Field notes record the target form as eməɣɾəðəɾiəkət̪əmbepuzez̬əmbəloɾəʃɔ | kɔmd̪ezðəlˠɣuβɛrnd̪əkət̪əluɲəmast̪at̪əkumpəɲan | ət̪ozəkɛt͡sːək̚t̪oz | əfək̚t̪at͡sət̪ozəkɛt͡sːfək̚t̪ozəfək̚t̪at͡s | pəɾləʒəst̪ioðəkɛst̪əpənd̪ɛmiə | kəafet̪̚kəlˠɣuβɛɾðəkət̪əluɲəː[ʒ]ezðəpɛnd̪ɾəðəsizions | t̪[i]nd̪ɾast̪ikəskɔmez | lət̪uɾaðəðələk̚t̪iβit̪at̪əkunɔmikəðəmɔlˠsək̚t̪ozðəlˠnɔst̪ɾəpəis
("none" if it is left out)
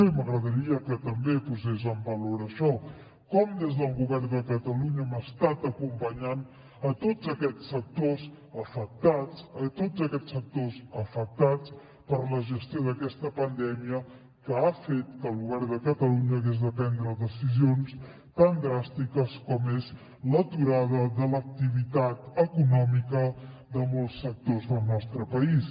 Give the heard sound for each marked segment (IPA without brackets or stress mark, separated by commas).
ɣ, a